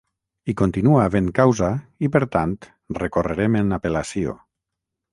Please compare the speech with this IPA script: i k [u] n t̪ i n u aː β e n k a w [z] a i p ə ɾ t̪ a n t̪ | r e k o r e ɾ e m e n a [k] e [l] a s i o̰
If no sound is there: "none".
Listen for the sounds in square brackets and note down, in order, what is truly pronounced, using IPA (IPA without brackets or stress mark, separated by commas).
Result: o, z, p, l